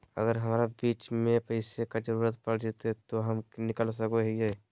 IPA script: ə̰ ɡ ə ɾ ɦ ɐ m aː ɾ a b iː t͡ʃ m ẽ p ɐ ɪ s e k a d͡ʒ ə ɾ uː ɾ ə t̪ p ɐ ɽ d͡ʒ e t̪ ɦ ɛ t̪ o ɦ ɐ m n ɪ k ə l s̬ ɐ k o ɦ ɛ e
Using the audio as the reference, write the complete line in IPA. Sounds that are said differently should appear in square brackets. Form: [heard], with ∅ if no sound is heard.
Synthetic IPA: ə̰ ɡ ə ɾ ɦ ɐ m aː ɾ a b iː t͡ʃ m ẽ p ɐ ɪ s e k a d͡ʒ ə ɾ uː ɾ ə t̪ p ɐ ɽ d͡ʒ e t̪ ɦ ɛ t̪ o ɦ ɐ m n ɪ k ə l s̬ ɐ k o ɦ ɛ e